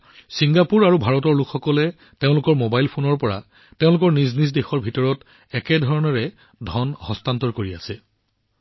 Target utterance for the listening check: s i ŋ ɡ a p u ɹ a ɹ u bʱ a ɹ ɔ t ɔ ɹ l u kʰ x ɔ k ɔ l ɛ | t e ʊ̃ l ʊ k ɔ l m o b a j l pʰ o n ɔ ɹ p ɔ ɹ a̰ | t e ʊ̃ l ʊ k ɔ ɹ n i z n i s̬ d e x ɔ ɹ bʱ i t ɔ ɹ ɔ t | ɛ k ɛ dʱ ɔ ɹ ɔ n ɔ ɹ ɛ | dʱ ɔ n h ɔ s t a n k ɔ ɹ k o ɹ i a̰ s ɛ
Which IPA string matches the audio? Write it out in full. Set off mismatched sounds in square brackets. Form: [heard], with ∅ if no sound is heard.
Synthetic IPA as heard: s i ŋ ɡ a p u ɹ a ɹ u bʱ a ɹ ɔ t ɔ ɹ l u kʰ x ɔ k ɔ l ɛ | t e ʊ̃ l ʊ k ɔ [ɹ] m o b a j l pʰ o n ɔ ɹ p ɔ ɹ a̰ | t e ʊ̃ l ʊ k ɔ ɹ n i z n i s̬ d e x ɔ ɹ bʱ i t ɔ ɹ ɔ t | ɛ k ɛ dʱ ɔ ɹ ɔ n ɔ ɹ ɛ | dʱ ɔ n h ɔ s t a n [t] ɔ ɹ k o ɹ i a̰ s ɛ